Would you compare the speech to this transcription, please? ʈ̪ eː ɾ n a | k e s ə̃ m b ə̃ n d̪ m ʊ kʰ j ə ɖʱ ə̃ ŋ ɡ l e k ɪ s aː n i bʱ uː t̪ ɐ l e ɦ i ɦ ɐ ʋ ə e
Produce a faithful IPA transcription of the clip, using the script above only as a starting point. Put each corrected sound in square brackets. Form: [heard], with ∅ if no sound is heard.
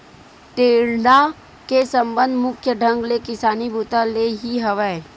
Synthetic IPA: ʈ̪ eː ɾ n a | k e s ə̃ m b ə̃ n d̪ m ʊ kʰ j ə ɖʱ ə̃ ŋ ɡ l e k ɪ s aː n i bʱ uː t̪ [a] l e ɦ i ɦ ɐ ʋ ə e

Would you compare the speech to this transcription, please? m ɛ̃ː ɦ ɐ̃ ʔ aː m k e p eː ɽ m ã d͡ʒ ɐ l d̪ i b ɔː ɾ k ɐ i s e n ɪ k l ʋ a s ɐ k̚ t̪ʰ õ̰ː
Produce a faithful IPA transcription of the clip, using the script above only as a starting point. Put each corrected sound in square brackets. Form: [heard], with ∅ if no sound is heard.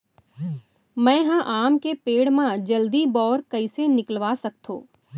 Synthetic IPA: m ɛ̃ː ɦ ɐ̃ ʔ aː m k e p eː ɽ m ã d͡ʒ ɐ l d̪ i b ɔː ɾ k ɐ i s e n ɪ k l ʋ a s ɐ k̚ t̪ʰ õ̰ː

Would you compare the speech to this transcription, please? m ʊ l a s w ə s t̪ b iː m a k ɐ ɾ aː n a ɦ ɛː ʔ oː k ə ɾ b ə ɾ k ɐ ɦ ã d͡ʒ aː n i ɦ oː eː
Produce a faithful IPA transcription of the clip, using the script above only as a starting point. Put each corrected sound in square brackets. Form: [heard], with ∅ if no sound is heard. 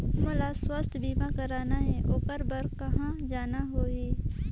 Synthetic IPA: m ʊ l a s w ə s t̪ b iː m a k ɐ ɾ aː n a ɦ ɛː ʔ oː k ə ɾ b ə ɾ k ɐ ɦ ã d͡ʒ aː n [a] ɦ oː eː

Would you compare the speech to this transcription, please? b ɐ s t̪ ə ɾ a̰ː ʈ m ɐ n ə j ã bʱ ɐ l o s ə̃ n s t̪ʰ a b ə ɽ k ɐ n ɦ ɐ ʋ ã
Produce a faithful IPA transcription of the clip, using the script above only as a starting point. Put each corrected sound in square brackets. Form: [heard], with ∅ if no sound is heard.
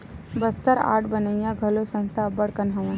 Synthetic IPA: b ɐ s t̪ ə ɾ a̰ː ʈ [b] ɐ n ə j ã [ɡʱ] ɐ l o s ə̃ n s t̪ʰ a b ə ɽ k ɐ n ɦ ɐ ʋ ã

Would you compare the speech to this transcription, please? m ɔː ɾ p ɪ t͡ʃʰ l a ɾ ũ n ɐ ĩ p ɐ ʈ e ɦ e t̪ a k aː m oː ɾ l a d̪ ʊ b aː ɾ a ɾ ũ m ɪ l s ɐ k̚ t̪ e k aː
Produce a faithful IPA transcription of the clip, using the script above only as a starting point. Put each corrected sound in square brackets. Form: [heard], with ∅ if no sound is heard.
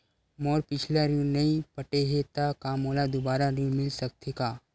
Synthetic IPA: m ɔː ɾ p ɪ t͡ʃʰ l a ɾ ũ n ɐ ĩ p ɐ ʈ e ɦ e t̪ a k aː m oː [∅] l a d̪ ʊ b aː ɾ a ɾ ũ m ɪ l s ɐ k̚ t̪ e k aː

